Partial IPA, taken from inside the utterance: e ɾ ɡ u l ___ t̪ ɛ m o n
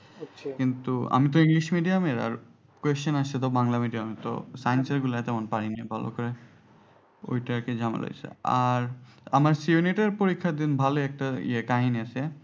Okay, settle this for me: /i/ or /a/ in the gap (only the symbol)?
a